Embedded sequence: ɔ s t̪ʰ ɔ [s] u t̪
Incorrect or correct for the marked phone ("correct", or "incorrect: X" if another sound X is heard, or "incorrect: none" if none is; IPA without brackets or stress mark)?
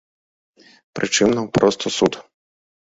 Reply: correct